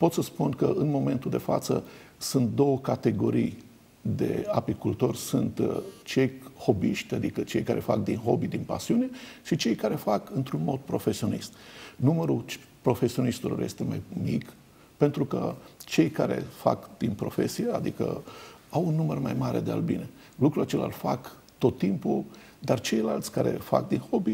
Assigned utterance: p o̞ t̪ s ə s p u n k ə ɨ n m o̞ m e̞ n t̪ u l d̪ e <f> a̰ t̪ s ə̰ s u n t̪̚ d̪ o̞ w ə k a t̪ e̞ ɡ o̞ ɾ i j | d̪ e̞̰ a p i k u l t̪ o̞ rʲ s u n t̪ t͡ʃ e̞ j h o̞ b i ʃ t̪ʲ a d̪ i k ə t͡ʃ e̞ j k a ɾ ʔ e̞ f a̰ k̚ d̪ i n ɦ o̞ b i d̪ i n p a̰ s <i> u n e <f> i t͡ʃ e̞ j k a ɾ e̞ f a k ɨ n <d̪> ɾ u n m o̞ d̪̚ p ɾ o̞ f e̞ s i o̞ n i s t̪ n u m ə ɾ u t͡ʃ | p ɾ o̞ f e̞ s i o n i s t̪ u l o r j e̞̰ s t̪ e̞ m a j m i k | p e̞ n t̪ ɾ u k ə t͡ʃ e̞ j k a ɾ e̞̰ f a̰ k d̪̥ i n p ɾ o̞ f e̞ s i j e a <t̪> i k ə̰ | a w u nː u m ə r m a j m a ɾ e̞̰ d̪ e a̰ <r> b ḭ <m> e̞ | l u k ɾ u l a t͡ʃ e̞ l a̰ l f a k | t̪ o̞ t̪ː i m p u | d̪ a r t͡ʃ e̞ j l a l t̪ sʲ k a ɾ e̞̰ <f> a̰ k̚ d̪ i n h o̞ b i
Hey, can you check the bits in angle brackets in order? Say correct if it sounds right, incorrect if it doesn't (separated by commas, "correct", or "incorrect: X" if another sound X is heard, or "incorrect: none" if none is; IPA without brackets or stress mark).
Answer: correct, correct, incorrect: ʃ, incorrect: t̪, incorrect: d̪, incorrect: l, incorrect: n, correct